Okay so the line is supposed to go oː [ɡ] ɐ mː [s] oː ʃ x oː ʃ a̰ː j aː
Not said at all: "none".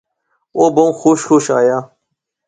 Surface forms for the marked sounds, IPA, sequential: b, x

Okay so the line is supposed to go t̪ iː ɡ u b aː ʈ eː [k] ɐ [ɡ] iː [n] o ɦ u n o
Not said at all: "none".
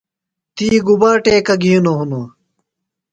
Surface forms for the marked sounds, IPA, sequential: k, ɡ, n

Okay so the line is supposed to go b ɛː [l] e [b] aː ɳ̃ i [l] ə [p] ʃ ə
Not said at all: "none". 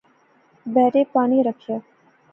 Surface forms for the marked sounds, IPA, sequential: ɾ, p, ɾ, k

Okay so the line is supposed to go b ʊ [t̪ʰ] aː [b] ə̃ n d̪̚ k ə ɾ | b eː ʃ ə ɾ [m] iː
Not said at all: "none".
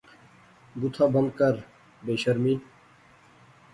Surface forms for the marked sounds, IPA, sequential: t̪ʰ, b, m

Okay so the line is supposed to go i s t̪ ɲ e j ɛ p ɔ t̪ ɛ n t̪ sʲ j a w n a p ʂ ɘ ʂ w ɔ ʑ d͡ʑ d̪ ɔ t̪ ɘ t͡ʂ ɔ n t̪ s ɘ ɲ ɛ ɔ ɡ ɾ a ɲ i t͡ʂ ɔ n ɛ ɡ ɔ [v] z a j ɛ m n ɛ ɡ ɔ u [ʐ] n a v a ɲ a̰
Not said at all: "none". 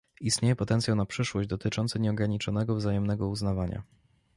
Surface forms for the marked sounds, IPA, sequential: v, z

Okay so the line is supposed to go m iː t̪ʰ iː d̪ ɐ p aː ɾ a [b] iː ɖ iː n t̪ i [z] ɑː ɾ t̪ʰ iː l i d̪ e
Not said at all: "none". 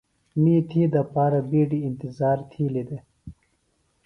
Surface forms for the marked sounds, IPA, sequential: b, z

